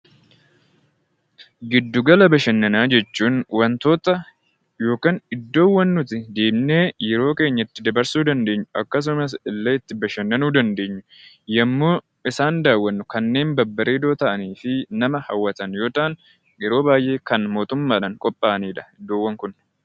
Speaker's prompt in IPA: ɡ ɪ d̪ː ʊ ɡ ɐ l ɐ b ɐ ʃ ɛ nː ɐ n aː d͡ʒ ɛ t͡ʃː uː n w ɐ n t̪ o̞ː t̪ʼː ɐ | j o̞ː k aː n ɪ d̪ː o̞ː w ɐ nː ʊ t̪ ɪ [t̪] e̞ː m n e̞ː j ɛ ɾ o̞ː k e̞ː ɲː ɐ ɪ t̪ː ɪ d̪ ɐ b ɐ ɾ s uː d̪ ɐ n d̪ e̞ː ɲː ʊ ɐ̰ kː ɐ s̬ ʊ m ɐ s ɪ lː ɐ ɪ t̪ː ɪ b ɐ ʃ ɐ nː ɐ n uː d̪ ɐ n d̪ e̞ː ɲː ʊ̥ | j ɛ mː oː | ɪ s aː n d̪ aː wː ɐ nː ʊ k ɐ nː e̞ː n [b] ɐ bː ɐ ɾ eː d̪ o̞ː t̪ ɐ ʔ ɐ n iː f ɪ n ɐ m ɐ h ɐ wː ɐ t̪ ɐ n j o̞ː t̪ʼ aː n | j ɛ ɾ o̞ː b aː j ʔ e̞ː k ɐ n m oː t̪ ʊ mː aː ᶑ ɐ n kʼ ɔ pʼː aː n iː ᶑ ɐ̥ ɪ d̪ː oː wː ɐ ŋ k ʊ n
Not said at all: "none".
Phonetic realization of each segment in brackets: d̪, b

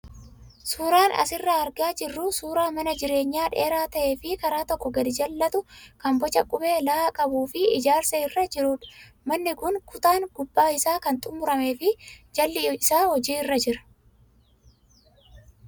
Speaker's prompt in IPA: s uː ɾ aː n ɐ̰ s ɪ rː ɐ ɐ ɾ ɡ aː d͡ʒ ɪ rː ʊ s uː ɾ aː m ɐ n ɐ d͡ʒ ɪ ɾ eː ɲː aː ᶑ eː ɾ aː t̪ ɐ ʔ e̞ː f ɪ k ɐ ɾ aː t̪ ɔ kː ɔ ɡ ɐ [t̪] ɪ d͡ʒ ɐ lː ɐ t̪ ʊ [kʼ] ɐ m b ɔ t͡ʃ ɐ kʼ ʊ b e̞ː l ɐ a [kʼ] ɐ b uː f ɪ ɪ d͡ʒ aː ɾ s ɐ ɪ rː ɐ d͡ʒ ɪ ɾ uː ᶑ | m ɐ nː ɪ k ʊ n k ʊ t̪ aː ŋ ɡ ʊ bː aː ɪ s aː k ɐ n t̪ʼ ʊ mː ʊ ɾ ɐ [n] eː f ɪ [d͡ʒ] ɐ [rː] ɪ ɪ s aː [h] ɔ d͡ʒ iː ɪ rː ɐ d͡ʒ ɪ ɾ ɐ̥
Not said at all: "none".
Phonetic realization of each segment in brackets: d̪, k, kʼ, m, d͡ʒ, lː, h

